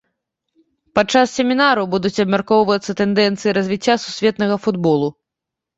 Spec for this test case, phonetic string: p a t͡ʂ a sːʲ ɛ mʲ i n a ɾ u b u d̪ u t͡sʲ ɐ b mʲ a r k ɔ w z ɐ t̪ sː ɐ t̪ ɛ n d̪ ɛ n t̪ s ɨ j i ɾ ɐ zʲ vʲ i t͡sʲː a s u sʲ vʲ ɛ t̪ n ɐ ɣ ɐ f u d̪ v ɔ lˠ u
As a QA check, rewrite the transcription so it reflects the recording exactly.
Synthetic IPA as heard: p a t͡ʂ a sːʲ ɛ mʲ i n a ɾ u b u d̪ u t͡sʲ ɐ b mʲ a r k ɔ w v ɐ t̪ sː ɐ t̪ ɛ n d̪ ɛ n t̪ s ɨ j i ɾ ɐ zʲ vʲ i t͡sʲː a s u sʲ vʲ ɛ t̪ n ɐ ɣ ɐ f u d̪ b ɔ lˠ u